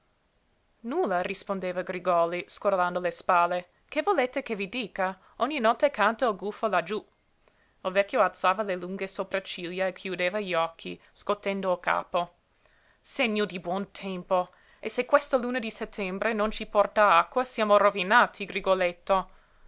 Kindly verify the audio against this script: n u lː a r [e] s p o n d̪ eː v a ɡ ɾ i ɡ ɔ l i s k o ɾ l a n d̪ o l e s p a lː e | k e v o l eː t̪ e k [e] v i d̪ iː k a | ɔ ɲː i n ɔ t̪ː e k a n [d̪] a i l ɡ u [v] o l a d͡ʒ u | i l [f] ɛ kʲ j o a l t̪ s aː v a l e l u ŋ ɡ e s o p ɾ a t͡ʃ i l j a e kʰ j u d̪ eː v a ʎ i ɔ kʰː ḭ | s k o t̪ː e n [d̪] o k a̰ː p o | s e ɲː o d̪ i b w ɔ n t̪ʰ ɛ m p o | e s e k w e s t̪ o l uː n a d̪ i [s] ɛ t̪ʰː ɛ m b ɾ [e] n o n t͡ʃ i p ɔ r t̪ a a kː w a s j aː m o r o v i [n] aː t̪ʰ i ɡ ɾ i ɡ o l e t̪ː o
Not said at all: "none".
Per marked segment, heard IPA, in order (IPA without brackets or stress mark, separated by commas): i, e, t̪, f, v, d̪, s, e, n